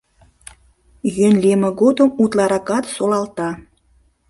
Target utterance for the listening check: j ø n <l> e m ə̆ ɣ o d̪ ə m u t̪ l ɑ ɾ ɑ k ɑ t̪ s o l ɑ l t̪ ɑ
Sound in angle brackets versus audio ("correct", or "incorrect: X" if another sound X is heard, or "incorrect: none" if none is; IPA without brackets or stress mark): correct